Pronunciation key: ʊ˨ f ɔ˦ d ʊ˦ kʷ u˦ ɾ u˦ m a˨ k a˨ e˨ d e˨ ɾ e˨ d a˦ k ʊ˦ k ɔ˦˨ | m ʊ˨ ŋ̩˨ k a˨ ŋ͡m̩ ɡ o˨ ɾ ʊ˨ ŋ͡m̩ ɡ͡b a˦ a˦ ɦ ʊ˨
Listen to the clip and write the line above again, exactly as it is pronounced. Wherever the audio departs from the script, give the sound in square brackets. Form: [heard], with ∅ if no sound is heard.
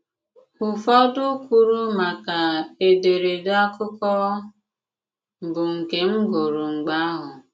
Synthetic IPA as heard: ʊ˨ f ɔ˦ d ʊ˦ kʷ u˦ ɾ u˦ m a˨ k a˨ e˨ d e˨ ɾ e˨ d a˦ k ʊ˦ k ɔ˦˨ | [b] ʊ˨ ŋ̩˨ k [e˨] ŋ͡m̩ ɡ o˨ ɾ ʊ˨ ŋ͡m̩ ɡ͡b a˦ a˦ ɦ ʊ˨